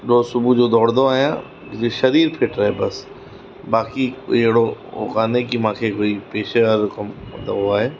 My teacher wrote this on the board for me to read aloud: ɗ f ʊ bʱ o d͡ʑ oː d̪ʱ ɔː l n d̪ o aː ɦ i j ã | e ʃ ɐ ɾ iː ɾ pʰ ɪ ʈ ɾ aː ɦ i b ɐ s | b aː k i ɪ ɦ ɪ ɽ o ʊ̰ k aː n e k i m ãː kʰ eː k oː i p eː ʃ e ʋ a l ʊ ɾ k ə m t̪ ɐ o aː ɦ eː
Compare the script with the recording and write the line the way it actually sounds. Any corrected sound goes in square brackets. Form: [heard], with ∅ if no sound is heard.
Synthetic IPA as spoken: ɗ [s] ʊ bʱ [u] d͡ʑ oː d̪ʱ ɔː [ɽ] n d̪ o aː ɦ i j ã | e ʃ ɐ ɾ iː ɾ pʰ ɪ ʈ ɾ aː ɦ [e] b ɐ s | b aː k i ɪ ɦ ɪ ɽ o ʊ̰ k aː n e k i m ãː kʰ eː k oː i p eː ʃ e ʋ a [ɾ] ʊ [∅] k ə m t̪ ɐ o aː ɦ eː